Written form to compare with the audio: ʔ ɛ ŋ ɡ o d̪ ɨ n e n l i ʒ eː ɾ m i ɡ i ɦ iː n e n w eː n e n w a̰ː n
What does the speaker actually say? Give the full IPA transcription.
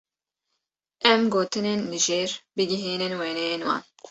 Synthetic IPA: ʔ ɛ m ɡ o t̪ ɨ n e n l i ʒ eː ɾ b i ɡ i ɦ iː n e n w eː n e n w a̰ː n